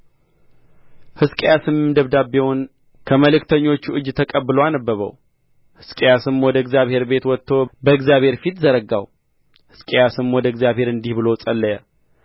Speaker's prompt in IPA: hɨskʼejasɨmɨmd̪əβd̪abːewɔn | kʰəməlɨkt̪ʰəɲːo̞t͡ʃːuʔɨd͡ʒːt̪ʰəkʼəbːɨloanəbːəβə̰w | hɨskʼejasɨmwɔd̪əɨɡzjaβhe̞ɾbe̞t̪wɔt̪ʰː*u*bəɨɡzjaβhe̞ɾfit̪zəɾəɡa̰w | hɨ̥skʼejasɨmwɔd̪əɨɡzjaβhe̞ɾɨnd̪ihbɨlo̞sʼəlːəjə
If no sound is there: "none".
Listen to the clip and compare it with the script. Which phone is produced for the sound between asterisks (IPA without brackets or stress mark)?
o